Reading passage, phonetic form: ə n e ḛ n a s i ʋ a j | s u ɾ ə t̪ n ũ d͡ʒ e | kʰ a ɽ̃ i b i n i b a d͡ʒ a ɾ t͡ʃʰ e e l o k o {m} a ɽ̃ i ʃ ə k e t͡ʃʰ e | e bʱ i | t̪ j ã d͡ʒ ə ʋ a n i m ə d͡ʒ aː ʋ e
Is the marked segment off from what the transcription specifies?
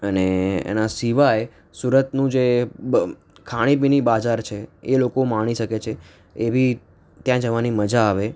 no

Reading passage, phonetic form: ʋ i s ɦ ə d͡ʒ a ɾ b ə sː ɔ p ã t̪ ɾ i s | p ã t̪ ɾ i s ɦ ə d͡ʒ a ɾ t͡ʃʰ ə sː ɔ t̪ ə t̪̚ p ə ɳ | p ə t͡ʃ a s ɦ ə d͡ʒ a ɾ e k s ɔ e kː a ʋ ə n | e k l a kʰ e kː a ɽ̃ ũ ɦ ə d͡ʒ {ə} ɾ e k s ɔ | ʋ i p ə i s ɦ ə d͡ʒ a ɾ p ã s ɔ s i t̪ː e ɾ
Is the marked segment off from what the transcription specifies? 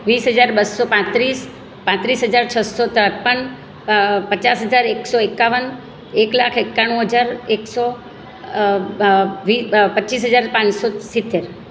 yes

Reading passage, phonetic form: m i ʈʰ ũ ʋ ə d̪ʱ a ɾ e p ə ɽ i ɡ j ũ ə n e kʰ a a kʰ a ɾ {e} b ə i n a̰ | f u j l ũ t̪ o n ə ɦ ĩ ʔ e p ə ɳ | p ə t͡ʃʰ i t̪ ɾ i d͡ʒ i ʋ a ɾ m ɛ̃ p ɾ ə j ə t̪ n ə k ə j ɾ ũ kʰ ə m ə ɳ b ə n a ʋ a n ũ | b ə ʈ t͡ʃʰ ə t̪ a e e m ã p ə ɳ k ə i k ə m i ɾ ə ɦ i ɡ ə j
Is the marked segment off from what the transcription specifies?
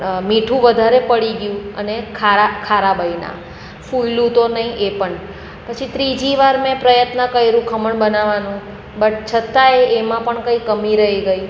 yes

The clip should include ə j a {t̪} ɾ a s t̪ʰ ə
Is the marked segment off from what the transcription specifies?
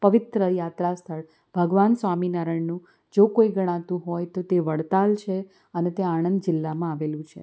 no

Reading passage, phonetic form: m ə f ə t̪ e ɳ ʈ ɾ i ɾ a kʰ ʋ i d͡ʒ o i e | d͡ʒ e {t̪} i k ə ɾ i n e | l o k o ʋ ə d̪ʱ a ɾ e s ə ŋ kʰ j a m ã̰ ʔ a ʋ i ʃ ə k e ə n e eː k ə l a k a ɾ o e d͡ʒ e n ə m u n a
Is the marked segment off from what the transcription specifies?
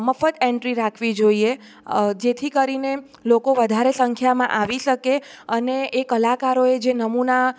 yes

